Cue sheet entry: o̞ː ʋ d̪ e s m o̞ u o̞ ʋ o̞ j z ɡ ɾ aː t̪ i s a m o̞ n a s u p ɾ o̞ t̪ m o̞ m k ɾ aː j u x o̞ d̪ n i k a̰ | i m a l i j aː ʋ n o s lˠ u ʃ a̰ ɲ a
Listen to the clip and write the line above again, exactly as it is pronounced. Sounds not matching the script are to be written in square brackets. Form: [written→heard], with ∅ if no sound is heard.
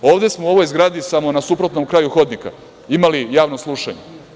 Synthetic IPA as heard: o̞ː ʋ d̪ e s m o̞ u o̞ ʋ o̞ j z ɡ ɾ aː [t̪→d̪] i s a m o̞ n a s u p ɾ o̞ t̪ [m→n] o̞ m k ɾ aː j u x o̞ d̪ n i k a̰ | i m a l i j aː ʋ n o s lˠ u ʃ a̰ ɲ [a→e]